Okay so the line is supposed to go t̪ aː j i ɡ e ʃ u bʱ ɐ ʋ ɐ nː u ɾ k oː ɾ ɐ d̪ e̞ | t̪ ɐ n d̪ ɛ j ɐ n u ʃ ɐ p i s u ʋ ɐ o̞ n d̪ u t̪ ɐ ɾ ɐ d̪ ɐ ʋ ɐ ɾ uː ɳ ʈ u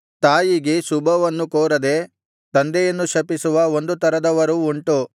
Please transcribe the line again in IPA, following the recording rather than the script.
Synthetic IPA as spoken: t̪ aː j i ɡ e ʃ u bʱ ɐ ʋ ɐ nː u k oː ɾ ɐ d̪ e̞ | t̪ ɐ n d̪ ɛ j ɐ nː u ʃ ɐ p i s u ʋ ɐ o̞ n d̪ u t̪ ɐ ɾ ɐ d̪ ɐ ʋ ɐ ɾ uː ɳ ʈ u